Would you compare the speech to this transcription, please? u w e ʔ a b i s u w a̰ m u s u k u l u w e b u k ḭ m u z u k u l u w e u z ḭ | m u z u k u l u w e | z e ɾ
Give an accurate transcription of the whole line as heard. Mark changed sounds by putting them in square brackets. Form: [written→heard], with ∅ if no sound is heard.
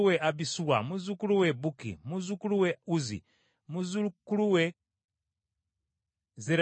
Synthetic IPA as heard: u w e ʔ a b i s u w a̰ m u [s→z] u k u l u w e b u k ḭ m u z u k u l u w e u z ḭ | m u z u k u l u w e | z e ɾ